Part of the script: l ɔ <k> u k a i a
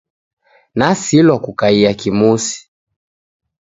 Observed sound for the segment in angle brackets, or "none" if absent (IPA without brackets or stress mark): k